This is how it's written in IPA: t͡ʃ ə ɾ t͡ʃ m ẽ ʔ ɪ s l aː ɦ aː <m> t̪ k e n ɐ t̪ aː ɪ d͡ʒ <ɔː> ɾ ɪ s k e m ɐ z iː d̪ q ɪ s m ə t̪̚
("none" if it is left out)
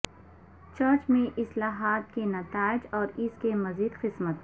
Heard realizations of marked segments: none, ɔː

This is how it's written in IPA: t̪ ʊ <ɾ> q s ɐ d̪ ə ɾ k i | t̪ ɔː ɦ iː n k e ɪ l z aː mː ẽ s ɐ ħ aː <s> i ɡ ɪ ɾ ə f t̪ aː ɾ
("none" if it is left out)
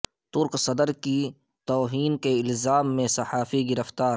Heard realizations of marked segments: ɾ, f

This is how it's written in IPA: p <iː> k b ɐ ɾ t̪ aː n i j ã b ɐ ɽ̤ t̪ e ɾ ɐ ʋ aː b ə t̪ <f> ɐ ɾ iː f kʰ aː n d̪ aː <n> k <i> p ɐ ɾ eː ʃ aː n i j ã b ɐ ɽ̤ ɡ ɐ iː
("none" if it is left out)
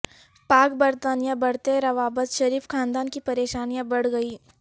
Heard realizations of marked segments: aː, ʃ, n, i

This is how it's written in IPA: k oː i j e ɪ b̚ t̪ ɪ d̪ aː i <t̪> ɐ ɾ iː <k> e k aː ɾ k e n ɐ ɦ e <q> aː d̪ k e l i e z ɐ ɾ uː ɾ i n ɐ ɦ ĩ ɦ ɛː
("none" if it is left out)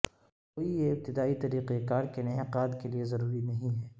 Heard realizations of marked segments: t̪, q, q

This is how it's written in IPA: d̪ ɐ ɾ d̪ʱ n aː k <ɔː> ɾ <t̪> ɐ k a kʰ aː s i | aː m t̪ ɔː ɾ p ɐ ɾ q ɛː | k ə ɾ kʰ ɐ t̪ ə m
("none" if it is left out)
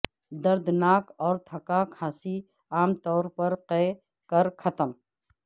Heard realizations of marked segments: ɔː, t̪ʰ

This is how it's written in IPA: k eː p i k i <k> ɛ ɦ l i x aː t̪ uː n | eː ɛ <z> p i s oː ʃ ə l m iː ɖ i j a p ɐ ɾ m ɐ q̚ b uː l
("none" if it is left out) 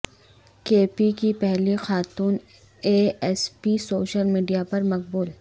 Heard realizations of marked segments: p, s

